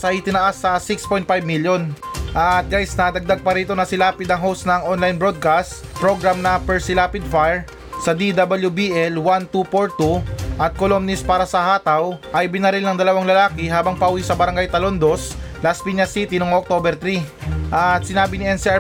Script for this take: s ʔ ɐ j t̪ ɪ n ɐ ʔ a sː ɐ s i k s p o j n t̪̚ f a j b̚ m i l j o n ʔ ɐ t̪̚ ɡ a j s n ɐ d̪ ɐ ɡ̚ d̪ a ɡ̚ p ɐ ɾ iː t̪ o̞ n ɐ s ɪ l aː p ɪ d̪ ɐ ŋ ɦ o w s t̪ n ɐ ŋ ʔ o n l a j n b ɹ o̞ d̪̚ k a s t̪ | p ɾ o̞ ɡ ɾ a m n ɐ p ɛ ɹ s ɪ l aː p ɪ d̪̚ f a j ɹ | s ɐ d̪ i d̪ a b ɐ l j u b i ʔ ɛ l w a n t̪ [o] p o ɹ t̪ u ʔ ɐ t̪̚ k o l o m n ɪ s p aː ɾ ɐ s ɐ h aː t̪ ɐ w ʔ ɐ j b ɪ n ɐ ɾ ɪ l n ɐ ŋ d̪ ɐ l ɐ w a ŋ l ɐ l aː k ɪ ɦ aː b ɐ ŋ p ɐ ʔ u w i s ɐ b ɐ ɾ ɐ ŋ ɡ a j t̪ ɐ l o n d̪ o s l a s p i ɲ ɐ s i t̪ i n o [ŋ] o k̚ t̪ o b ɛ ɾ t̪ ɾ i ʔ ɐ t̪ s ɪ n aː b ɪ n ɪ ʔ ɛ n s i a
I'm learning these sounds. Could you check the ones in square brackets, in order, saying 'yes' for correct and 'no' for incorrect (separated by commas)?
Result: no, yes